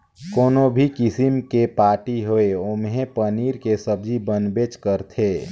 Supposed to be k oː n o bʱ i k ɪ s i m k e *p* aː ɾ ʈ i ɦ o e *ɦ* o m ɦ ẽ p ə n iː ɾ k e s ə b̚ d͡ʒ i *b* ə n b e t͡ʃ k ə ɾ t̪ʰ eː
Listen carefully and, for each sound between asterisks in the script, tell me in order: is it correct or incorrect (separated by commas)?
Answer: correct, incorrect, correct